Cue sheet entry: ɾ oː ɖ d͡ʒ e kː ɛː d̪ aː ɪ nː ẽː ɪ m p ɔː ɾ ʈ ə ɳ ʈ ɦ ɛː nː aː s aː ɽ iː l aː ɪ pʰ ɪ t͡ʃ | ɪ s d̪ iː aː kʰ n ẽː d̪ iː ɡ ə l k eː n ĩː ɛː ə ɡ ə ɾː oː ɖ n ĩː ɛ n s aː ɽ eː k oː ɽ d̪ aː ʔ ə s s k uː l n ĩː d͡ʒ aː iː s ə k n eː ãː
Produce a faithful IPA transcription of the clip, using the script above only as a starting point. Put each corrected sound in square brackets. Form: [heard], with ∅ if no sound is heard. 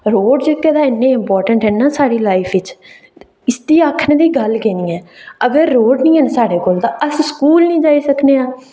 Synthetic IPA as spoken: ɾ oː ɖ d͡ʒ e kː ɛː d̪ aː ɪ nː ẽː ɪ m p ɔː ɾ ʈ ə ɳ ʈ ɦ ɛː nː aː s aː ɽ iː l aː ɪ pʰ ɪ t͡ʃ | ɪ s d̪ iː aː kʰ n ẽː d̪ iː ɡ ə l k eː n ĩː ɛː ə ɡ ə ɾː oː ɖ n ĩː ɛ n s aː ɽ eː k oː [l] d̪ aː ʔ ə s s k uː l n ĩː d͡ʒ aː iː s ə k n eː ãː